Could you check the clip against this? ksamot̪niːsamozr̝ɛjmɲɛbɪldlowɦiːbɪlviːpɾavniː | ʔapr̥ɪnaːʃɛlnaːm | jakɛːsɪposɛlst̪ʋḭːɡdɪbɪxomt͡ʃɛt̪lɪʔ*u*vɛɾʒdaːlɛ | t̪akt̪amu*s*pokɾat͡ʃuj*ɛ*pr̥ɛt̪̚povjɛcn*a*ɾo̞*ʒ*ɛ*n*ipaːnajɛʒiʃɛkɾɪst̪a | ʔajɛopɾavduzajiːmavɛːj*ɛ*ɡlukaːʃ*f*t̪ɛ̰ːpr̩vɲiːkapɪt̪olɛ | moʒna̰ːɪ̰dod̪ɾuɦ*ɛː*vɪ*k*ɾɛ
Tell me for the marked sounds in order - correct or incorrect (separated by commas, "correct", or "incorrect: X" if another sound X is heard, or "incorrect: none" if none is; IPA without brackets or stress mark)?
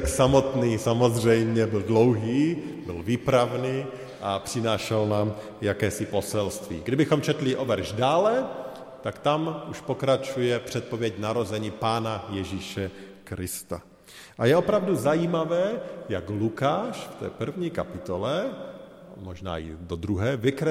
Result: incorrect: o, incorrect: ʃ, correct, correct, incorrect: z, incorrect: ɲ, incorrect: a, correct, correct, correct